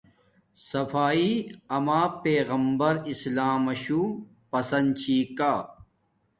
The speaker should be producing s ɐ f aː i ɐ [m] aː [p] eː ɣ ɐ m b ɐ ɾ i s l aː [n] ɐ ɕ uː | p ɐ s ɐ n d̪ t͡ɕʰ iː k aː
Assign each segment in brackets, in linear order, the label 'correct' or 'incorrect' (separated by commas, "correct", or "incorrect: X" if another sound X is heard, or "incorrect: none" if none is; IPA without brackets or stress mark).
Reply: correct, correct, incorrect: m